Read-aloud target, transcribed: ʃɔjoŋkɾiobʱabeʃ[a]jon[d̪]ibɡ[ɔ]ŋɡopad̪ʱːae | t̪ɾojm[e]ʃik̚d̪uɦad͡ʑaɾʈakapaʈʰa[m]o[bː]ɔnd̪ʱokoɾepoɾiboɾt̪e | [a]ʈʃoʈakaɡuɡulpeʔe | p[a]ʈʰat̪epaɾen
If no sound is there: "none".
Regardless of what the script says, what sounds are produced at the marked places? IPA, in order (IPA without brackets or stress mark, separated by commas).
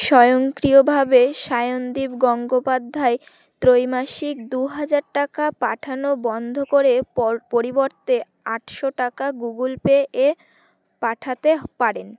a, d̪, ɔ, a, n, b, a, a